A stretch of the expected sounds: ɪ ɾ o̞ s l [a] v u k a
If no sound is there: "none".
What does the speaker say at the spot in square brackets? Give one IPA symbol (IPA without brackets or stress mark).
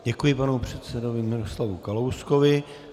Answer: a